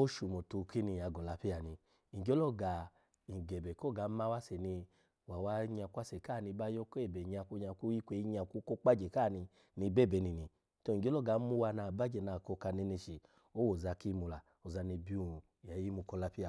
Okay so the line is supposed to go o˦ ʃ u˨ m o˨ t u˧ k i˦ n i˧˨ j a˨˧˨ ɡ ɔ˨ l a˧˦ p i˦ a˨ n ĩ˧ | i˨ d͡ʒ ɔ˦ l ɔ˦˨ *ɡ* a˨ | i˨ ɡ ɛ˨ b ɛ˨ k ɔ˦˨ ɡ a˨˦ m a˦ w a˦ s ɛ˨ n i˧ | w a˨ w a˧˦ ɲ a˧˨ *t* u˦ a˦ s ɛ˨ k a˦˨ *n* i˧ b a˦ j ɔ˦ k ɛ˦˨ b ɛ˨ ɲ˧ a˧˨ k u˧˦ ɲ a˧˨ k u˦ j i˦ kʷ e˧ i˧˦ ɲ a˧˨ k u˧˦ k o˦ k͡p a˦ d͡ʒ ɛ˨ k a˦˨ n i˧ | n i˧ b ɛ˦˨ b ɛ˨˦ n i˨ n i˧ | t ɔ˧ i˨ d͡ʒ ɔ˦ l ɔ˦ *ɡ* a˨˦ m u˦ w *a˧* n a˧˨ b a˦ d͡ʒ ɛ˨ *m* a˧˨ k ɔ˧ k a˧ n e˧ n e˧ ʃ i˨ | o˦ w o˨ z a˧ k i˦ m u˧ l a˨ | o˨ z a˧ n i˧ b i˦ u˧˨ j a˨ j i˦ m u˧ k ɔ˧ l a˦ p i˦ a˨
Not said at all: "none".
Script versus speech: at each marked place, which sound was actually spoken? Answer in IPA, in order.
ɡ, k, n, ɡ, a˧, n

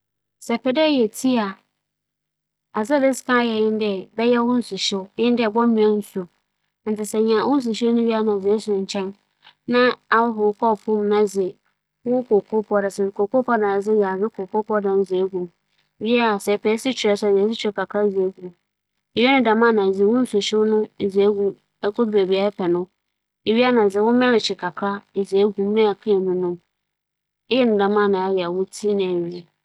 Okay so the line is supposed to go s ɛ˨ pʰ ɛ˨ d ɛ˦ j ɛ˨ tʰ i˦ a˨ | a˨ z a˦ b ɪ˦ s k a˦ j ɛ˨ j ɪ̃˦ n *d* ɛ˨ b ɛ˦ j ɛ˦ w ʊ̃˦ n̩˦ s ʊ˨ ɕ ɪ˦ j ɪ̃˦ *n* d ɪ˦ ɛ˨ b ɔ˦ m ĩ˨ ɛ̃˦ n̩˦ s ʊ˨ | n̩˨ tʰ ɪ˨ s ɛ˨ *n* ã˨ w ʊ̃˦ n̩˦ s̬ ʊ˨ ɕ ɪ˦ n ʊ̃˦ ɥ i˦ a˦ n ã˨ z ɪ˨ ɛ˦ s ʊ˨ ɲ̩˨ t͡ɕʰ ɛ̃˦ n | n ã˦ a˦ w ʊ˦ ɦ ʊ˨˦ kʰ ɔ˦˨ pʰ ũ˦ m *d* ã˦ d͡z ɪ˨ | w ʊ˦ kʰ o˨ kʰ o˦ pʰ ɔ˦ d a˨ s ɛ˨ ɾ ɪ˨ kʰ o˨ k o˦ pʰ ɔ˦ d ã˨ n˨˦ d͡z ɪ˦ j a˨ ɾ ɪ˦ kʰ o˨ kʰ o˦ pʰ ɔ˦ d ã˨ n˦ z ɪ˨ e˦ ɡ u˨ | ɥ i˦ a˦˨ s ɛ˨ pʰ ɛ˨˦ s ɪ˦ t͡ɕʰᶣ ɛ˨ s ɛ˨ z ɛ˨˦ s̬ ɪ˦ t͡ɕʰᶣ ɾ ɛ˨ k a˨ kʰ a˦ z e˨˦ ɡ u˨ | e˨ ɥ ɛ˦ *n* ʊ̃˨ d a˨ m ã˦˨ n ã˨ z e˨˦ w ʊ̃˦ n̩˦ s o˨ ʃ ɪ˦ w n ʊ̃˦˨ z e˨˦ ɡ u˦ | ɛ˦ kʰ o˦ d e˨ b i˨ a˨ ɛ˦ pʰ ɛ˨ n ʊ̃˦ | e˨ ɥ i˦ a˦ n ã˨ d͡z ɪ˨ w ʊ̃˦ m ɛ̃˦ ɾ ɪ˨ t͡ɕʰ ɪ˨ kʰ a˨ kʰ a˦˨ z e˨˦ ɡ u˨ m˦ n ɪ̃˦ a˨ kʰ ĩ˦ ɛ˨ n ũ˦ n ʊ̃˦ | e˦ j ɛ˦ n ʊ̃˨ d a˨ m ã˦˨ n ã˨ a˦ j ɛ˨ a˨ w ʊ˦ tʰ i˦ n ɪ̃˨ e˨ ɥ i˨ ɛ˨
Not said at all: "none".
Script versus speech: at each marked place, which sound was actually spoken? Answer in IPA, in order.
d, n, ɲ, n, n

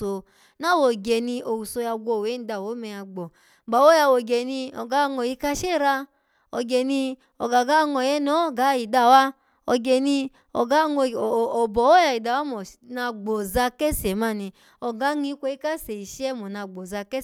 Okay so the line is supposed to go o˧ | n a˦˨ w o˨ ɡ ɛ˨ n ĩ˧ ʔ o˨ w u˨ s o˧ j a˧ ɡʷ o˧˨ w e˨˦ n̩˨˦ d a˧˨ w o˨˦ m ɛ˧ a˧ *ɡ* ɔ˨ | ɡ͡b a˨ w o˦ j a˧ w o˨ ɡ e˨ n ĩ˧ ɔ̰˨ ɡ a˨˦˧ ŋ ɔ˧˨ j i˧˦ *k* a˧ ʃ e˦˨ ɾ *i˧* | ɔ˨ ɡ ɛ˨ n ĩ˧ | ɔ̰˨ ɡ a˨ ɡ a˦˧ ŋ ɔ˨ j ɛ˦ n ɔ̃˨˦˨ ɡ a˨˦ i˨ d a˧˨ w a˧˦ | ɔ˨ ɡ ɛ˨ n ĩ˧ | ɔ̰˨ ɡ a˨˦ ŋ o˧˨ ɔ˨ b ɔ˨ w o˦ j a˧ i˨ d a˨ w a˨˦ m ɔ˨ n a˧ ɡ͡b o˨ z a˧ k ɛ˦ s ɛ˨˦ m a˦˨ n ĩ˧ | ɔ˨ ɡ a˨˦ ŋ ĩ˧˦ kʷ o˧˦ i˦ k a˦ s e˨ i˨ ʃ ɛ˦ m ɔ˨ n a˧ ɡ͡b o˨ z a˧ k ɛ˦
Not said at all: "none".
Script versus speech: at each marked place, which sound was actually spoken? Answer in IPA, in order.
ɡ͡b, k, a˧

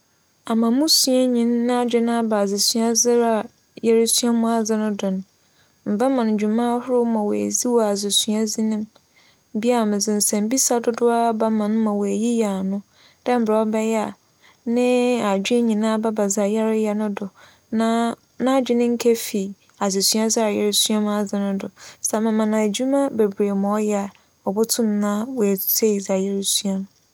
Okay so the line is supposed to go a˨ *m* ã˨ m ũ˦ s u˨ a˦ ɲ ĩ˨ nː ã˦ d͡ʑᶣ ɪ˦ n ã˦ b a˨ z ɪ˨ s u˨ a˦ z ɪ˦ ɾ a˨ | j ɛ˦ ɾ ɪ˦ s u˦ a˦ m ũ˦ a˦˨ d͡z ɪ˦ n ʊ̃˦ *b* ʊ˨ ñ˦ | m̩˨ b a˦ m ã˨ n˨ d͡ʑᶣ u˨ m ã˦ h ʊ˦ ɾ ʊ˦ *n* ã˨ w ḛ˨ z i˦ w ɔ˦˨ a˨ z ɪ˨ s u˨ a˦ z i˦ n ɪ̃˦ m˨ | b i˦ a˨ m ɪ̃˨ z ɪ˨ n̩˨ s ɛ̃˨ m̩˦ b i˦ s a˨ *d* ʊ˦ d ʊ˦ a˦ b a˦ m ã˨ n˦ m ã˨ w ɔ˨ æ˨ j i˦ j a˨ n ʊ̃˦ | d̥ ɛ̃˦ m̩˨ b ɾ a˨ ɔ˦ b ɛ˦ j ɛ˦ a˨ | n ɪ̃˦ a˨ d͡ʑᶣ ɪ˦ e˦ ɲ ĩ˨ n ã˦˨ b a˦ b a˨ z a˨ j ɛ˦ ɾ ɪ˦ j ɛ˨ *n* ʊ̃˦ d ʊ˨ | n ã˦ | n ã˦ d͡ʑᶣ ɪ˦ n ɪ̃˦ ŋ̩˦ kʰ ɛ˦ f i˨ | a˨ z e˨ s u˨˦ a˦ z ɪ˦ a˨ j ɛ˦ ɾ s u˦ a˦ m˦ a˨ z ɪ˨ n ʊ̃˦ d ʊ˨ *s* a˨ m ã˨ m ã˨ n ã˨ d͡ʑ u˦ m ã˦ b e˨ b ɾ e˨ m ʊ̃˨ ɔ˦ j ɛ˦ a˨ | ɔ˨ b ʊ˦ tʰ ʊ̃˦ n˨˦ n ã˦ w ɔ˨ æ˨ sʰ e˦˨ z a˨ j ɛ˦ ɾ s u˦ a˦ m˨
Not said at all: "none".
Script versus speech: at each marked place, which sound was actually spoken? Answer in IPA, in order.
m, d, m, d, n, s

